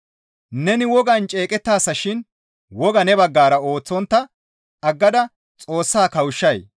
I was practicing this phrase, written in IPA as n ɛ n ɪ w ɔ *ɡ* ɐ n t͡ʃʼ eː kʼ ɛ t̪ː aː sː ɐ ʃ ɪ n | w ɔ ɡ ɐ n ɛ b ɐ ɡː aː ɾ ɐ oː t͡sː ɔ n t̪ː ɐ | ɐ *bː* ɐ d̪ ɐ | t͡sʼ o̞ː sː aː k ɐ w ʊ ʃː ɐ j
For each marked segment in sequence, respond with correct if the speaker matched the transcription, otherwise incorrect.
correct, incorrect

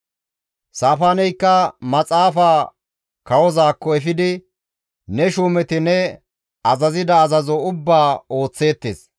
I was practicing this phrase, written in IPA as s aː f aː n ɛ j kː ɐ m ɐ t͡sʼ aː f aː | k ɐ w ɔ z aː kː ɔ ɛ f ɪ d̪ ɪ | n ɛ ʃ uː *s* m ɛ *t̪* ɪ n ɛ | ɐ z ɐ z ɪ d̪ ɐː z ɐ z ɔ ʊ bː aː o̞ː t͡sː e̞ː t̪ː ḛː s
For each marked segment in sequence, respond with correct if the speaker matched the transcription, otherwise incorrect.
incorrect, correct

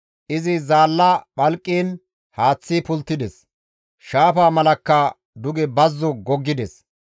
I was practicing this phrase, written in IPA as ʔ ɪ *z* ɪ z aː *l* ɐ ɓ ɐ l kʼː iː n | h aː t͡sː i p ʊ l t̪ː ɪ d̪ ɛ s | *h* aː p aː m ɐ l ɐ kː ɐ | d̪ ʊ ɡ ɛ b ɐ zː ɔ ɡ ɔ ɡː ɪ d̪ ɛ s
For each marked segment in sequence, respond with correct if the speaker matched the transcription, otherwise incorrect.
correct, incorrect, incorrect

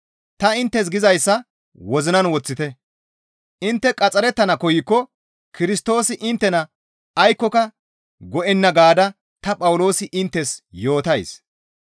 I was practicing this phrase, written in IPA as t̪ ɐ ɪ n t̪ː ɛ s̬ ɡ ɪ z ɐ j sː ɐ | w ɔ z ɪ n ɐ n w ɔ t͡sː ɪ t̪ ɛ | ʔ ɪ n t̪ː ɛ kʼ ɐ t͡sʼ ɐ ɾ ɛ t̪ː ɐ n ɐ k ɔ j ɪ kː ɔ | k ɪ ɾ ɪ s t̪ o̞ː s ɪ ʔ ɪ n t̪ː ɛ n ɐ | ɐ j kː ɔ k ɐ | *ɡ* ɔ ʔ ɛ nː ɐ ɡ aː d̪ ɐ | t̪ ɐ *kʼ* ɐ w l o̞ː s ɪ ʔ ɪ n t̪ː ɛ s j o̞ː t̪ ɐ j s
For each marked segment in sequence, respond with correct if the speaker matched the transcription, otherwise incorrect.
correct, incorrect

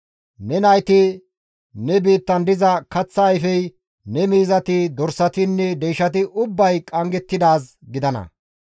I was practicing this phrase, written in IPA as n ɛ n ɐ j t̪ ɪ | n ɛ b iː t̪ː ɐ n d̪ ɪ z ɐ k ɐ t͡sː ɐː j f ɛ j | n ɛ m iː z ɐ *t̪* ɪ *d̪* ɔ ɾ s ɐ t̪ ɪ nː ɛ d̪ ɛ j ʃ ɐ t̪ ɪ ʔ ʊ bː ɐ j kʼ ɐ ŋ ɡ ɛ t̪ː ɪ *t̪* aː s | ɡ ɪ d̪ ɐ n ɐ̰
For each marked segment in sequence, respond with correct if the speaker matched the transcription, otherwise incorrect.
correct, correct, incorrect

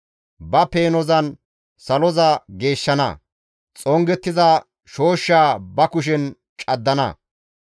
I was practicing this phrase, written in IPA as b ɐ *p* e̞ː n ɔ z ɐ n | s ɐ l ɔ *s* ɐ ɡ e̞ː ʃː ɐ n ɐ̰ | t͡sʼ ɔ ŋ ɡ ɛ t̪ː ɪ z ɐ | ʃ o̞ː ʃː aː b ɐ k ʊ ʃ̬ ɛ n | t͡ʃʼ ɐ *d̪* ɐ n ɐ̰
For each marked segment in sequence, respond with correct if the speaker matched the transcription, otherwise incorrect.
correct, incorrect, incorrect

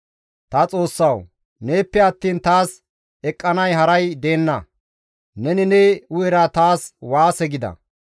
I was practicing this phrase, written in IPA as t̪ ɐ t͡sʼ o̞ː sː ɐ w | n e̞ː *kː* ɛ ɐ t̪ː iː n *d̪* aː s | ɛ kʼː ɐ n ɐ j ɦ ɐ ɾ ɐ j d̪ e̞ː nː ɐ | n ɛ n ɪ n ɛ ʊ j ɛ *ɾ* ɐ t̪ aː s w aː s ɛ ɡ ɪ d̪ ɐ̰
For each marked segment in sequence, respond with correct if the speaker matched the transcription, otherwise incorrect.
incorrect, incorrect, correct

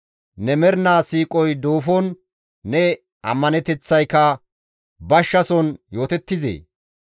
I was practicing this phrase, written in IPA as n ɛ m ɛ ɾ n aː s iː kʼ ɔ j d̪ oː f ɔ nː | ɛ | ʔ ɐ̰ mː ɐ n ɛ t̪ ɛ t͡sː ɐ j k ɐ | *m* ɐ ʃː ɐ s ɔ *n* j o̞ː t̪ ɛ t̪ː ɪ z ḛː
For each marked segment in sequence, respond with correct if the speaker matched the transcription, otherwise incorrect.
incorrect, correct

